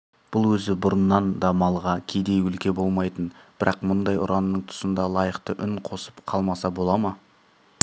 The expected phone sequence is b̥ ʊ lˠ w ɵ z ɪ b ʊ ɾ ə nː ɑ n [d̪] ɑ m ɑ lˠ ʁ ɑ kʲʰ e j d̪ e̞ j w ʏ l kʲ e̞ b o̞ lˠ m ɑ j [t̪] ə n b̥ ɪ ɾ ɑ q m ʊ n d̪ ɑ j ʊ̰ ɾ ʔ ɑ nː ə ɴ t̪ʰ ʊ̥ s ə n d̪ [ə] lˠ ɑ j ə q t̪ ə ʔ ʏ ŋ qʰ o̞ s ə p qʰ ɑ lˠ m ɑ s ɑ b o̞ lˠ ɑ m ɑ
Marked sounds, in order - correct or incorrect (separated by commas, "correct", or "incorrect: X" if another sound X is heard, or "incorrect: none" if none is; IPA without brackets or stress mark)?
correct, correct, incorrect: ɑ